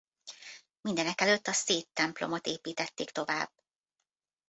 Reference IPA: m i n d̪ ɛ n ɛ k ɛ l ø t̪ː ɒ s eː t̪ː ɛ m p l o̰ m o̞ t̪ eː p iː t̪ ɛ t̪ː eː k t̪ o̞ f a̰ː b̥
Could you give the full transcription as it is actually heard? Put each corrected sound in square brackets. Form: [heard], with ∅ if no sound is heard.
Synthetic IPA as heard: m i n d̪ ɛ n ɛ k ɛ l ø t̪ː ɒ s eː t̪ː ɛ m p l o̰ m o̞ t̪ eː p iː t̪ ɛ t̪ː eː k t̪ o̞ [v] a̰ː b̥

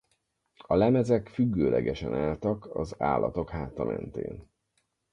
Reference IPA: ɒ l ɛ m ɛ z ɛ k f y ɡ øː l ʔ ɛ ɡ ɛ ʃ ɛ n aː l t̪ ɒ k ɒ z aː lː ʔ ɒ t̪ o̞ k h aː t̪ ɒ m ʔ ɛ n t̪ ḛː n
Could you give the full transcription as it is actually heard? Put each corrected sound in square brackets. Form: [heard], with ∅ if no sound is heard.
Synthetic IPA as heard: ɒ l ɛ m ɛ z ɛ k f y [ɡː] øː l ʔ ɛ ɡ ɛ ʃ ɛ n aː l t̪ ɒ k ɒ z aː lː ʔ ɒ t̪ o̞ k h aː t̪ ɒ m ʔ ɛ n t̪ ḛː n

